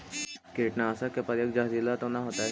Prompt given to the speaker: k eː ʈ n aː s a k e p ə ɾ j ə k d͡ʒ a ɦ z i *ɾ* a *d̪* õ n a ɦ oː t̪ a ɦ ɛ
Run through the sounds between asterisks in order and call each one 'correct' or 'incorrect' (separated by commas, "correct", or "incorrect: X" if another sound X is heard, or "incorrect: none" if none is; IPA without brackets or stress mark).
incorrect: l, incorrect: t̪